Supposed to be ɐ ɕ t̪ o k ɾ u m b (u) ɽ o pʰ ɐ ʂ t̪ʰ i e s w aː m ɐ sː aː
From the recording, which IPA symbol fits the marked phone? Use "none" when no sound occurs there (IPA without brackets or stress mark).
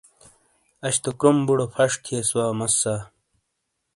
u